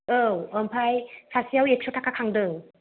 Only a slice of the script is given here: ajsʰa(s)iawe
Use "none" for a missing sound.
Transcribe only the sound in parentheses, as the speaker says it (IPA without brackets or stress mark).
s